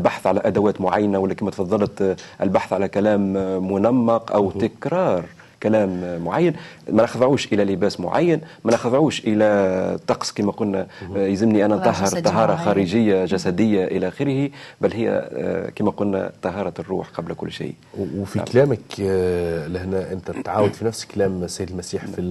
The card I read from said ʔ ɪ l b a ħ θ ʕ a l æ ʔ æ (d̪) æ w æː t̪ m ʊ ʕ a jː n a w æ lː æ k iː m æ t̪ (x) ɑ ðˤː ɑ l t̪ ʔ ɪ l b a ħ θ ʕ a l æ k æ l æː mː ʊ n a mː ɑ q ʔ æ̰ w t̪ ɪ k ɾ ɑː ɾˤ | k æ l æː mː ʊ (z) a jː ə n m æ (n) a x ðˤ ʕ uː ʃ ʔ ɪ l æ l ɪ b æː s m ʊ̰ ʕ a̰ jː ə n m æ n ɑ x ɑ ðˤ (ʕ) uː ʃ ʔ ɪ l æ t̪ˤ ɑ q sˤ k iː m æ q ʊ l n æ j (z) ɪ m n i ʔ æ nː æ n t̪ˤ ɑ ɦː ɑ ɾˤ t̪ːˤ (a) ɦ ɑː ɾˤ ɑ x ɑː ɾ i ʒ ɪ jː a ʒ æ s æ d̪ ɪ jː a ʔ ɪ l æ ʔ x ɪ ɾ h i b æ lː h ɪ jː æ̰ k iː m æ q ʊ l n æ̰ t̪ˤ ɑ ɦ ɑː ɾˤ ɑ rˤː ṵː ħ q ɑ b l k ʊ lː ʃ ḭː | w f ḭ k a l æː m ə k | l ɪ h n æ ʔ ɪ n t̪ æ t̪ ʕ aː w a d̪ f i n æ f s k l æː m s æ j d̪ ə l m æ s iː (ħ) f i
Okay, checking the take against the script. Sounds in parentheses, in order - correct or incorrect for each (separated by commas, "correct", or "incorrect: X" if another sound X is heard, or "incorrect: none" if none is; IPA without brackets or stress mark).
correct, incorrect: f, incorrect: ʕ, correct, correct, correct, incorrect: ɑ, correct